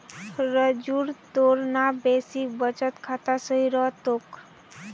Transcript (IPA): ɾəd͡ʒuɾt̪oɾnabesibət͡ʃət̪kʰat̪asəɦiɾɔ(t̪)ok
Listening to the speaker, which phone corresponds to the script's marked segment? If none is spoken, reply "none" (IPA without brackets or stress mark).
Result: t̪